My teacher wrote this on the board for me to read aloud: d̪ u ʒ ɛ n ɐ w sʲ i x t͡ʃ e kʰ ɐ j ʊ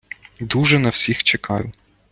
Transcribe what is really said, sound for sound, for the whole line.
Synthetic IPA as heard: d̪ u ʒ ɛ n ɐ w sʲ i x t͡ʃ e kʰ ɑ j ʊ

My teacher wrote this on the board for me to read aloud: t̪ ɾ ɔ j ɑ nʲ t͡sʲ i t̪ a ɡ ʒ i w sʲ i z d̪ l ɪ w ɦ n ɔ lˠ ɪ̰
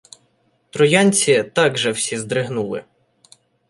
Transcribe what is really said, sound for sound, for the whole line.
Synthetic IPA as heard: t̪ ɾ ɔ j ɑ nʲ t͡sʲ i t̪ ɑ ɡ ʒ ɛ w sʲ i z d̪ ɾ ɪ ɦ n u lˠ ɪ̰

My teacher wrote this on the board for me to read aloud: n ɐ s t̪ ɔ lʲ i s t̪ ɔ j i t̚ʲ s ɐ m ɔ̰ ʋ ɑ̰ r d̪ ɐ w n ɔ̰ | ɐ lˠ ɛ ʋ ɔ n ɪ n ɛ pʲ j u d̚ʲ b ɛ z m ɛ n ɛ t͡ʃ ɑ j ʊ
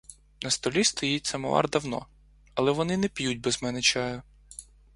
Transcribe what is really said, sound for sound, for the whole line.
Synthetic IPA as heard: n ɐ s t̪ ɔ lʲ i s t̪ ɔ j i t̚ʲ s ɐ m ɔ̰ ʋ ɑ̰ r d̪ ɐ w n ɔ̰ | ɐ lˠ ɛ ʋ ɔ n ɪ n ɛ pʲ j u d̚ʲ b ɛ z m ɛ n ɛ t͡ʃ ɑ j ʊ

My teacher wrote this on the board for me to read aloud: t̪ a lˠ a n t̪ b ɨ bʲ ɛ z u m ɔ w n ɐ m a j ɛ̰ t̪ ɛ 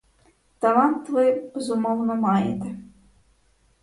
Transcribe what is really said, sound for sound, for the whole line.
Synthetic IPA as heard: t̪ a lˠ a n t̪ v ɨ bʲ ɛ z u m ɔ w n ɐ m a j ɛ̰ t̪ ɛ

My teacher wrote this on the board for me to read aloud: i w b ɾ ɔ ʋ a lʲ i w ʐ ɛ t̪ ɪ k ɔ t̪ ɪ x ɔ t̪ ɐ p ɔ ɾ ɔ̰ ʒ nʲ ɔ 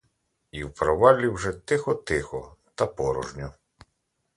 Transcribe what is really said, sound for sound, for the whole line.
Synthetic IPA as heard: i w p ɾ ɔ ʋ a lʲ i w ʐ ɛ t̪ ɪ x ɔ t̪ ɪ x ɔ t̪ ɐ p ɔ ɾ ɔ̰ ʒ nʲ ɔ

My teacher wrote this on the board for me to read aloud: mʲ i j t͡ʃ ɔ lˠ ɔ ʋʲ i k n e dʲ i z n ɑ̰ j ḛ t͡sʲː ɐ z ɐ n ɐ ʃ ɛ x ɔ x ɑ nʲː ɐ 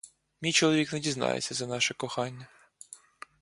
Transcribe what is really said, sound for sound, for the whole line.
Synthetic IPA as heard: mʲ i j t͡ʃ ɔ lˠ ɔ ʋʲ i k n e dʲ i z n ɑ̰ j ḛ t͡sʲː ɐ z ɐ n ɑ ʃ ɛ k ɔ x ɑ nʲː ɐ

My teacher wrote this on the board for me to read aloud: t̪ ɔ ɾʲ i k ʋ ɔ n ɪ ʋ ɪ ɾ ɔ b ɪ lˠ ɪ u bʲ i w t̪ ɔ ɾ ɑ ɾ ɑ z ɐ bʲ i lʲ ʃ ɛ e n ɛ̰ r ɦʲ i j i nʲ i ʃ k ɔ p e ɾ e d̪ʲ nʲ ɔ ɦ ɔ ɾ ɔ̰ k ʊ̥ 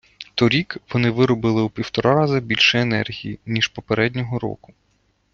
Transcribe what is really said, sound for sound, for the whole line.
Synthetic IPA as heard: t̪ ɔ ɾʲ i k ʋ ɔ n ɪ ʋ ɪ ɾ ɔ b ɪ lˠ ɪ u pʲ i w t̪ ɔ ɾ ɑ ɾ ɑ z ɐ bʲ i lʲ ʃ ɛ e n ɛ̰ r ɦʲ i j i nʲ i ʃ p ɔ p e ɾ ɛ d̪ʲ nʲ ɔ ɦ ɔ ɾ ɔ̰ k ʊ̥

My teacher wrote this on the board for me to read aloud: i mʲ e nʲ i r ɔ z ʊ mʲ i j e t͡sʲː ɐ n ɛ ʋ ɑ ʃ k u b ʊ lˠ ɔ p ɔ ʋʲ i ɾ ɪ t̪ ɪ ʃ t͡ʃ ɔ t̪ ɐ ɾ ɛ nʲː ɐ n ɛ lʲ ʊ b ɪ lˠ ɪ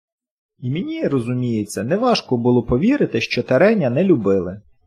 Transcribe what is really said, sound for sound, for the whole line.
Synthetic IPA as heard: i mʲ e nʲ i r ɔ z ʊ mʲ i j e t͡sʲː ɐ n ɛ ʋ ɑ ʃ k ɔ b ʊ lˠ ɔ p ɔ ʋʲ i ɾ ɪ t̪ ɪ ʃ t͡ʃ ɔ t̪ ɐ ɾ ɛ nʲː ɐ n ɛ lʲ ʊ b ɪ lˠ ɪ

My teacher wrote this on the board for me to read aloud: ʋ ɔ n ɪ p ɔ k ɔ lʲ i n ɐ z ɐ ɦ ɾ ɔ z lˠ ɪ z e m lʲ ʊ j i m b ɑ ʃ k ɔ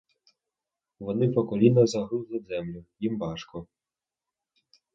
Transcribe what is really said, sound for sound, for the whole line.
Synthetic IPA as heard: ʋ ɔ n ɪ p ɔ k ɔ lʲ i n ɐ z ɐ ɦ ɾ u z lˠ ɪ z ɛ m lʲ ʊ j i m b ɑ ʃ k ɔ

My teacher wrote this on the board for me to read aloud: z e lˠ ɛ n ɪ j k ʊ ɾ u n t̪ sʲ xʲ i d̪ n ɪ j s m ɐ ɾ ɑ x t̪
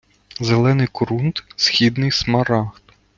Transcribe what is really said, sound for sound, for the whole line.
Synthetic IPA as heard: z e lˠ ɛ n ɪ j k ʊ ɾ u n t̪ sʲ xʲ i d̪ n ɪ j s m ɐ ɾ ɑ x t̪

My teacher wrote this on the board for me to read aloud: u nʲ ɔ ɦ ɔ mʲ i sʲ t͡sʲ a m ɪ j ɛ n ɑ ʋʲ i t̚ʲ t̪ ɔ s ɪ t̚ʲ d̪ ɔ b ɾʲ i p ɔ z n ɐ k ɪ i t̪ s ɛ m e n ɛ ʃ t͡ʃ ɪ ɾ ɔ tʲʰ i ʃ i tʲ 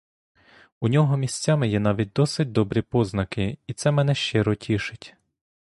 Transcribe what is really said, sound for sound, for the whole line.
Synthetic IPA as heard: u nʲ ɔ ɦ ɔ mʲ i sʲ t͡sʲ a m ɪ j ɛ n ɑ ʋʲ i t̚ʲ d̪ ɔ s ɪ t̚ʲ d̪ ɔ b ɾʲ i p ɔ z n ɐ k ɪ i t̪ s ɛ m ɛ n ɛ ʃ t͡ʃ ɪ ɾ ɔ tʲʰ i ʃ ɪ tʲ

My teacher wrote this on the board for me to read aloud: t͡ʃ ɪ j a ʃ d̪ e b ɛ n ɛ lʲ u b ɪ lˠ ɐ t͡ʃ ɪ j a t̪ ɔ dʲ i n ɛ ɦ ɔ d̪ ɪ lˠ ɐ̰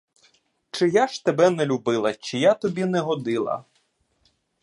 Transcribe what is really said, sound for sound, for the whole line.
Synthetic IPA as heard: t͡ʃ ɪ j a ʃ t̪ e b ɛ n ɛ lʲ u b ɪ lˠ ɐ t͡ʃ ɪ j a t̪ ɔ bʲ i n ɛ ɦ ɔ d̪ ɪ lˠ ɐ̰

